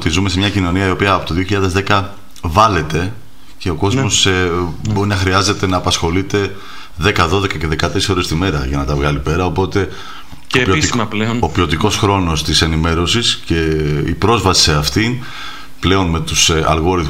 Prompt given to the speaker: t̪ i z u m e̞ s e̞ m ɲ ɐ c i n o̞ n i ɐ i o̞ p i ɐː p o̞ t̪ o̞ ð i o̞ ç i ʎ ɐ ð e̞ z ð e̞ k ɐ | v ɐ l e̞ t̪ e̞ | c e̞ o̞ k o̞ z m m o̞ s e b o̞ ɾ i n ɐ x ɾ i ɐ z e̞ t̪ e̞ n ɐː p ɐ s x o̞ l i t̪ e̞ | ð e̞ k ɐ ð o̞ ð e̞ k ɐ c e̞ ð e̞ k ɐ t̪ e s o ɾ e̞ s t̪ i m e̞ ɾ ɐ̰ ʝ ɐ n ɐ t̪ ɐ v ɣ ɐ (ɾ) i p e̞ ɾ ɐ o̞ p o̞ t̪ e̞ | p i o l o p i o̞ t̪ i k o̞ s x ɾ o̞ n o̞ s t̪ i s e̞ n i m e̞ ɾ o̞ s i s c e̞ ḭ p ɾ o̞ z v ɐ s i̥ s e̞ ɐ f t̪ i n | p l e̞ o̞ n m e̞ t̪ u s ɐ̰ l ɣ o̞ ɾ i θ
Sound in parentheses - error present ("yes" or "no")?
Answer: yes